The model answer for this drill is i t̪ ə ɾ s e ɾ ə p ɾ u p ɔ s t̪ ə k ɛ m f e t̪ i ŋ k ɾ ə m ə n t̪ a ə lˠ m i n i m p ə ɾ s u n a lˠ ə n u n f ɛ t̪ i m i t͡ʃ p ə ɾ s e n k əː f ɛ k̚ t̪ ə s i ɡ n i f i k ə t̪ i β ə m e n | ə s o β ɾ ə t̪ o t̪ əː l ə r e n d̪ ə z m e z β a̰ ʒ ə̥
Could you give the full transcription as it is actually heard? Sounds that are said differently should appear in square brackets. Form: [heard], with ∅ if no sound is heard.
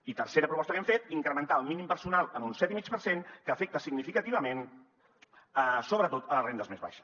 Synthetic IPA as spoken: i t̪ ə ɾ s e ɾ ə p ɾ u p ɔ s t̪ ə k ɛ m f e t̪ i ŋ k ɾ ə m ə n t̪ a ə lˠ m i n i m p ə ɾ s u n a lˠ ə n u n [s] ɛ t̪ i m i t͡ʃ p ə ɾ s e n k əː f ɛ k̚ t̪ ə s i ɡ n i f i k ə t̪ i β ə m e n | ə s o β ɾ ə t̪ o t̪ [ə] l ə r e n d̪ ə z m e z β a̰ [ʃ] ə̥